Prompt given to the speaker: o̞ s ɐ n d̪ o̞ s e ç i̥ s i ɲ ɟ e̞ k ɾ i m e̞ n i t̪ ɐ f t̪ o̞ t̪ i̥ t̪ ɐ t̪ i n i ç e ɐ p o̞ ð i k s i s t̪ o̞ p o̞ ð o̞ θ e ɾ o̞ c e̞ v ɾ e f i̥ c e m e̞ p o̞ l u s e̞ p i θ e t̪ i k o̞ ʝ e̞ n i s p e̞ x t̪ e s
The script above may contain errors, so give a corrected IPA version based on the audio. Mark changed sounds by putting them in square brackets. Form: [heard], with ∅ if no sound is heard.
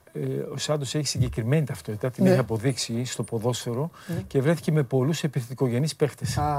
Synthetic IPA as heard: o̞ s ɐ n d̪ o̞ s e ç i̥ s i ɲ ɟ e̞ k ɾ i m e̞ n i t̪ ɐ f t̪ o̞ t̪ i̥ t̪ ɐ t̪ i n i ç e ɐ p o̞ ð i k s i s t̪ o̞ p o̞ ð o̞ [s] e ɾ o̞ c e̞ v ɾ e [θ] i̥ c e m e̞ p o̞ l u s e̞ p i θ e t̪ i k o̞ ʝ e̞ n i s p e̞ x t̪ e s